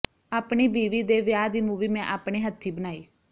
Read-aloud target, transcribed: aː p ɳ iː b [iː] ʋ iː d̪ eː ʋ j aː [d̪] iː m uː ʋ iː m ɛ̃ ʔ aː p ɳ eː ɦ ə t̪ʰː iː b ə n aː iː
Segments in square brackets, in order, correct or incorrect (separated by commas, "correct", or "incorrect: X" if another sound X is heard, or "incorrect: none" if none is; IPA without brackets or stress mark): correct, correct